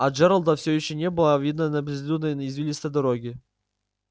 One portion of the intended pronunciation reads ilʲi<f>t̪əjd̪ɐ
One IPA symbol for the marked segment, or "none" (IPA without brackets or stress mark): s